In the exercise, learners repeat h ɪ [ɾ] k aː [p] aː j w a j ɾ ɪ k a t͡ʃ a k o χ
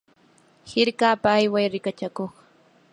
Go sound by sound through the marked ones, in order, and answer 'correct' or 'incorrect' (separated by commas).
correct, correct